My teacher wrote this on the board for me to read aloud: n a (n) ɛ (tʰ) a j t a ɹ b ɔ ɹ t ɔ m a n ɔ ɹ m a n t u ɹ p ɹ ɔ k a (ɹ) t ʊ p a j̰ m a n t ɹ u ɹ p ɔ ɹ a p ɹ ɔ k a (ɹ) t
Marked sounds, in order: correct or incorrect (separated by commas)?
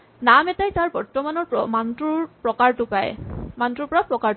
incorrect, incorrect, correct, correct